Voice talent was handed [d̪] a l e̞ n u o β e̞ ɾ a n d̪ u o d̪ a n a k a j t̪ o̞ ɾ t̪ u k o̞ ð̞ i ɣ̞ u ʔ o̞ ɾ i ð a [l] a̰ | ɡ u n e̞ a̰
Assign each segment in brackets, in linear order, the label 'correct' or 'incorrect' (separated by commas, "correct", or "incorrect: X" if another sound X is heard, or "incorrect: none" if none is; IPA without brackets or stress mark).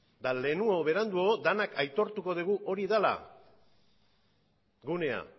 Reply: correct, correct